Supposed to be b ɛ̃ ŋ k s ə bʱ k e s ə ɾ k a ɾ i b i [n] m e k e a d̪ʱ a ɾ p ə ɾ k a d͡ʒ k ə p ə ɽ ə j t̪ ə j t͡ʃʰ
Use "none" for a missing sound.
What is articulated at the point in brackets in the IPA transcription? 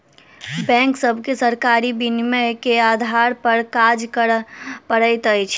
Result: n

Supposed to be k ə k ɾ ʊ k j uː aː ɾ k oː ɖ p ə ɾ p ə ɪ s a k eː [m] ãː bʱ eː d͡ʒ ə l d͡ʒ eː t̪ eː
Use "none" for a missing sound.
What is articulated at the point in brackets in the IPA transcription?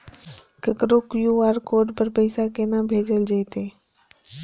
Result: n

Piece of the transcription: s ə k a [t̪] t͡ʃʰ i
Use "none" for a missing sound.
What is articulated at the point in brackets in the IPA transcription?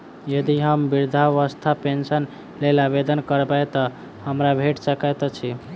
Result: t̪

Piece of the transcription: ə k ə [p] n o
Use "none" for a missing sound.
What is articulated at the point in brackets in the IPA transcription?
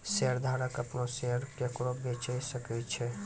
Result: p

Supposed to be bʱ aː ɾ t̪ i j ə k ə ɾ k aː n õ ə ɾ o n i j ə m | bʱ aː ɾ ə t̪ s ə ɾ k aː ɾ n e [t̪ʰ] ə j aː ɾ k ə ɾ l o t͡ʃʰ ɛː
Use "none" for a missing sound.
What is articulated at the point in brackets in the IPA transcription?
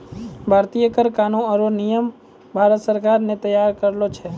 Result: t̪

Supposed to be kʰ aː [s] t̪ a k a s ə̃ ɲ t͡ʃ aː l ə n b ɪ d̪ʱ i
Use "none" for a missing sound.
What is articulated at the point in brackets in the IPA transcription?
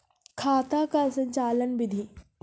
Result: none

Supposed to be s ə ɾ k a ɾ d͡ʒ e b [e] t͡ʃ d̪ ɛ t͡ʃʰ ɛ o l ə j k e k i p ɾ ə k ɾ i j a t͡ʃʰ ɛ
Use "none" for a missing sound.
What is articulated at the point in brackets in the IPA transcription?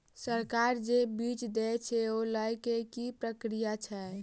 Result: i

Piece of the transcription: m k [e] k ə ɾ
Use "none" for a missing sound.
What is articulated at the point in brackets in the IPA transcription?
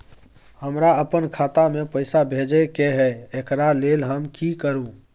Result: i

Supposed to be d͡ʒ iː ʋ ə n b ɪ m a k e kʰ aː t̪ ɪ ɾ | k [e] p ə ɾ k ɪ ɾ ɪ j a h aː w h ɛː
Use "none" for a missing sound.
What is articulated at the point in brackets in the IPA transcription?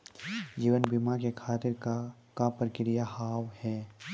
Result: a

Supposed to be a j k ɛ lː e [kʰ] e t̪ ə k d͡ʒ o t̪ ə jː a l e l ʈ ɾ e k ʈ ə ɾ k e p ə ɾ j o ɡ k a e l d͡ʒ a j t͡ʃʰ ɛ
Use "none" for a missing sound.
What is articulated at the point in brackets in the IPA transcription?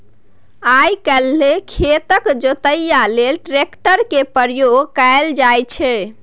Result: kʰ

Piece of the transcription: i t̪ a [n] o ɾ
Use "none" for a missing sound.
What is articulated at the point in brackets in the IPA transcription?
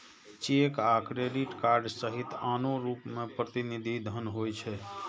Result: n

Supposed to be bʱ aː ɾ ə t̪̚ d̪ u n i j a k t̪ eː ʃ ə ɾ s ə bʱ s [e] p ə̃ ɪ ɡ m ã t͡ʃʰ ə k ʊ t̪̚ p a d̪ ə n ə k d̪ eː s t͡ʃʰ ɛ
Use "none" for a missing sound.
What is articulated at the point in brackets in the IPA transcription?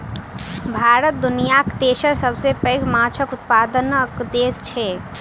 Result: e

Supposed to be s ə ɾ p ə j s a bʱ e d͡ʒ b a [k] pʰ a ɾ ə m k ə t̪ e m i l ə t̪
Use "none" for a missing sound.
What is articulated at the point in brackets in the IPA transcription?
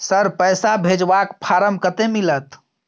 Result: k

